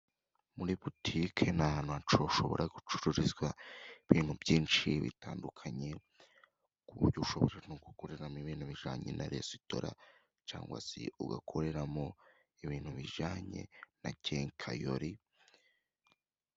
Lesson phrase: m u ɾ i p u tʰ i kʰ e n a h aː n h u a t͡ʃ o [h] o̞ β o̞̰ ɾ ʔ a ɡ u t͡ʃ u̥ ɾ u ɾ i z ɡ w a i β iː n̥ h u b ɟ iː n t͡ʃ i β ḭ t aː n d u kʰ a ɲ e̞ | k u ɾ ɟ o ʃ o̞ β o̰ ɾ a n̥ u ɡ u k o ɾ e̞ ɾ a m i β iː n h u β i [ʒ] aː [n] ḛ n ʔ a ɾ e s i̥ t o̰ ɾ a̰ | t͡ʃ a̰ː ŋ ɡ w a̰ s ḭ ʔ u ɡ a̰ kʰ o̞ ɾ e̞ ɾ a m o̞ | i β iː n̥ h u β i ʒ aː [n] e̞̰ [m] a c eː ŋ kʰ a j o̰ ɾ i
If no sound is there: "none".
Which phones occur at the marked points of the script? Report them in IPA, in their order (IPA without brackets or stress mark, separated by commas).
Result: ʃ, ʒ, ɲ, ɲ, n